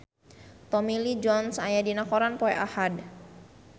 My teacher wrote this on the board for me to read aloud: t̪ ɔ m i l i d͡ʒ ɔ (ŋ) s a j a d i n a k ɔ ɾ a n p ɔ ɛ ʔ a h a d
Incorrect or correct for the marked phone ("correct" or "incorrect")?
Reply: incorrect